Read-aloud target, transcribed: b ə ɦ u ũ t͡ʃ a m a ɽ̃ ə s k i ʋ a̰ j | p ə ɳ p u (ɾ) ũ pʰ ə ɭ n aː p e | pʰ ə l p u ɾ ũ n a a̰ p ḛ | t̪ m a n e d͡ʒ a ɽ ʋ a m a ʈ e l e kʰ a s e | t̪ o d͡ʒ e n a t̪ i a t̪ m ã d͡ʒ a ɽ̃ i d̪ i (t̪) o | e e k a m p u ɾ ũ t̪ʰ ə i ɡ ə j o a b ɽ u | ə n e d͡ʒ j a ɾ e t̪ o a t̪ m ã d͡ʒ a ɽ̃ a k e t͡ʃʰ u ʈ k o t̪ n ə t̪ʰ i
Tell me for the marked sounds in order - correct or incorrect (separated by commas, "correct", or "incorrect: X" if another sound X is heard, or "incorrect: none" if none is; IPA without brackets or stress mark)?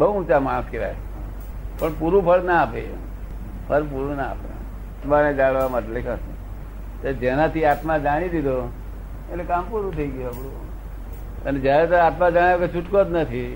correct, incorrect: d̪